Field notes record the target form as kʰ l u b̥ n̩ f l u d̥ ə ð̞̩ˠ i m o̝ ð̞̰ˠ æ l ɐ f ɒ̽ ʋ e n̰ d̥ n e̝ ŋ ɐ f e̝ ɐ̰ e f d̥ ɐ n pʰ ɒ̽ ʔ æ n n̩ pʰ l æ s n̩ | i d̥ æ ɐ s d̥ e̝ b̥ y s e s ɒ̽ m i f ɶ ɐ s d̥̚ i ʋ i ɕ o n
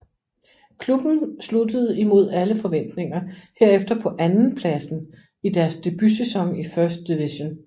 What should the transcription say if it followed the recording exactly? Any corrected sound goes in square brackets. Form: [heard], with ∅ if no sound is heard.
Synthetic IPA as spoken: kʰ l u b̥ n̩ [s] l u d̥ ə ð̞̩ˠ i m o̝ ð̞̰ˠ æ l [ə] f ɒ̽ ʋ e n̰ d̥ n e̝ ŋ ɐ [h] e̝ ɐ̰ e f d̥ ɐ [∅] pʰ ɒ̽ ʔ æ n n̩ pʰ l æ s n̩ | i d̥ æ ɐ s d̥ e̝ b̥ y s e s ɒ̽ [ŋ] i f ɶ ɐ s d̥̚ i ʋ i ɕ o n